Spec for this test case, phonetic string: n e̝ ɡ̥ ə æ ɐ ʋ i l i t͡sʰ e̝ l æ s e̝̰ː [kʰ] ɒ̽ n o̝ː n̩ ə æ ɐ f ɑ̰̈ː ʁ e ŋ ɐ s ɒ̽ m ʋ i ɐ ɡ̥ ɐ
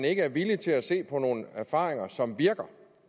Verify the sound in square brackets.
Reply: incorrect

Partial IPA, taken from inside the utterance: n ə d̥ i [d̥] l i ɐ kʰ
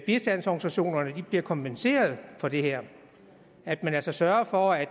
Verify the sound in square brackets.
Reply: incorrect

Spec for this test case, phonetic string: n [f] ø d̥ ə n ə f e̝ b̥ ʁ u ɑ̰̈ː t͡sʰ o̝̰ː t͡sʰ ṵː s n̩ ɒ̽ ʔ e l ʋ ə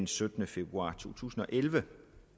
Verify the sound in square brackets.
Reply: incorrect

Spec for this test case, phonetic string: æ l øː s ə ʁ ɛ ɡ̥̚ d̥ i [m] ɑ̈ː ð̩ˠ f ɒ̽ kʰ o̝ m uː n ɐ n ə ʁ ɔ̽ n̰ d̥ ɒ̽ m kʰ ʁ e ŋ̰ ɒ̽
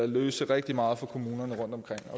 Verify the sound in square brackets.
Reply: correct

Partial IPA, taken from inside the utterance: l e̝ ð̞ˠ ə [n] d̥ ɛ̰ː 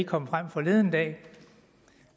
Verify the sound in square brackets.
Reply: correct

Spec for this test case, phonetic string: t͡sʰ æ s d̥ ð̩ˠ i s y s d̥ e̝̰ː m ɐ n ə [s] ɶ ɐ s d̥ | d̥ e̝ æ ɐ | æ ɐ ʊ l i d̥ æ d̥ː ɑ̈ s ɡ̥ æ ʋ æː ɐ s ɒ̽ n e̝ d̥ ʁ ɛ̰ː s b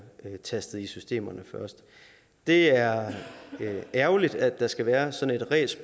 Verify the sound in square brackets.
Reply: incorrect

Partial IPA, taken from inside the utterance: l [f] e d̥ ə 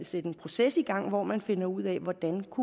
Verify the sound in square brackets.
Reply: incorrect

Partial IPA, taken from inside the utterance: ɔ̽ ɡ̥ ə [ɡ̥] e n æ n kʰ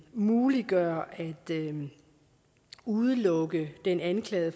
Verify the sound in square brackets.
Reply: incorrect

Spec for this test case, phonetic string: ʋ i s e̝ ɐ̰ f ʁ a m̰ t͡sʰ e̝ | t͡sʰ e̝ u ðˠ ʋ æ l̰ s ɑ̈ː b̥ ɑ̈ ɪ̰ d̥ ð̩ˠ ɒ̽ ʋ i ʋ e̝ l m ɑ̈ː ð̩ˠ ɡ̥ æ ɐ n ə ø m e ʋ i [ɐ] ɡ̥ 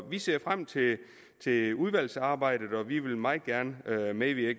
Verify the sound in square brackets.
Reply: correct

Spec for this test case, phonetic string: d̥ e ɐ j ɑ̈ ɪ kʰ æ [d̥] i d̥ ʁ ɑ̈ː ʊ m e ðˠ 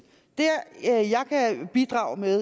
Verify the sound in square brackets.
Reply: incorrect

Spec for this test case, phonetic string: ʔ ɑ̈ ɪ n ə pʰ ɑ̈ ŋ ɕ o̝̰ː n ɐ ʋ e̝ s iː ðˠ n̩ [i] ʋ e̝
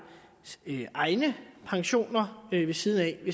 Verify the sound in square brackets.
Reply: incorrect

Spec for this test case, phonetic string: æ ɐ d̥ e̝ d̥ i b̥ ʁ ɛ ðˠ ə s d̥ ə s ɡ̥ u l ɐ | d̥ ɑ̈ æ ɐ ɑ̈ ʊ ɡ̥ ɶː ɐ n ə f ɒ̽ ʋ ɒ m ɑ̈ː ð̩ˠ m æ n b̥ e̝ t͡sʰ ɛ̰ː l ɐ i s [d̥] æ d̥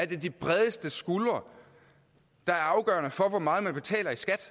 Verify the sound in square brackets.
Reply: incorrect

